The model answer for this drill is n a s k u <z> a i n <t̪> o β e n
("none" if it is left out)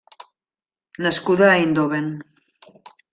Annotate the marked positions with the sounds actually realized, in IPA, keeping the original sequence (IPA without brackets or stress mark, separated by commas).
ð, d̪